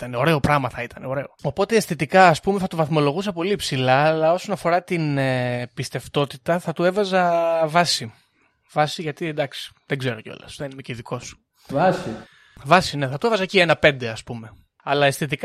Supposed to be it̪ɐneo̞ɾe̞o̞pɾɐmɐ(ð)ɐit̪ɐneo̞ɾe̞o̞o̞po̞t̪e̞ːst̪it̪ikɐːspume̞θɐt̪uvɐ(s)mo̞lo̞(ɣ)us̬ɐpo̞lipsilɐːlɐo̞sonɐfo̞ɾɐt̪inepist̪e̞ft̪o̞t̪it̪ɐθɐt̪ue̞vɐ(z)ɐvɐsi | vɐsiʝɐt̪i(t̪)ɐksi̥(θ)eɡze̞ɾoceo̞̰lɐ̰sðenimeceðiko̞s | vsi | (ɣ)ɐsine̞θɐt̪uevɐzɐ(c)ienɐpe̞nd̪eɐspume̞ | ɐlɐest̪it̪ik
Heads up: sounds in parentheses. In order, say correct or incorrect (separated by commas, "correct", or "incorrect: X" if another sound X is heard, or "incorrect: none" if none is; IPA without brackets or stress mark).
incorrect: θ, incorrect: θ, correct, correct, incorrect: d̪, incorrect: ð, incorrect: v, correct